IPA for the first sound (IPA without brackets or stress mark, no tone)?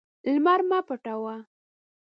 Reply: l